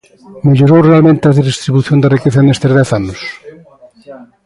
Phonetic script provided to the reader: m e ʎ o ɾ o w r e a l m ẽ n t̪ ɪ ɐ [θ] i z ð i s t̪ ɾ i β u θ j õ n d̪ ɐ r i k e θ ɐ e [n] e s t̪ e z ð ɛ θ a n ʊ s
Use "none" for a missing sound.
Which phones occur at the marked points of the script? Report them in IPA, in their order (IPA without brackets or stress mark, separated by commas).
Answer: ð, n